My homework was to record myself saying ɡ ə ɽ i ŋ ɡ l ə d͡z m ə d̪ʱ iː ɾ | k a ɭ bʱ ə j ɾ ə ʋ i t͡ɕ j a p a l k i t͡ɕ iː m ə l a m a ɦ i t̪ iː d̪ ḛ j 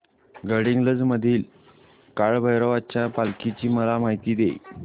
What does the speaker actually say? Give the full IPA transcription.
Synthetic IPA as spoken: ɡ ə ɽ i ŋ ɡ l ə d͡z m ə d̪ʱ iː l | k a ɭ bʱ ə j ɾ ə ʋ a t͡ɕ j a p a l k i t͡ɕ iː m ə l a m a ɦ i t̪ iː d̪ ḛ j